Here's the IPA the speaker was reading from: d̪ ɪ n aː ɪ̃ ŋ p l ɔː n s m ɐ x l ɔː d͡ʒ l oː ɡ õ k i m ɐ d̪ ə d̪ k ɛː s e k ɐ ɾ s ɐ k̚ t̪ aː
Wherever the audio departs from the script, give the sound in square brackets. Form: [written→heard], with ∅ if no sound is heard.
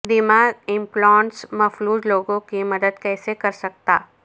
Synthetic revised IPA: d̪ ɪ [n→m] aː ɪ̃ [ŋ→m] p l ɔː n s m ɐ [x→f] l [ɔː→uː] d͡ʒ l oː ɡ õ k i m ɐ d̪ ə d̪ k ɛː s e k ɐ ɾ s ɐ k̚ t̪ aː